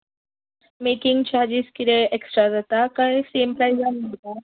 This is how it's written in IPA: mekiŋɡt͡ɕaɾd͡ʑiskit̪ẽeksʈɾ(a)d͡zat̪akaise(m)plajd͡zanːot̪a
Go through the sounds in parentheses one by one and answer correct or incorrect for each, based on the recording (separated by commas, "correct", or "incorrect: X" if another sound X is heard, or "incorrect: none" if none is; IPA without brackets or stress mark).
correct, correct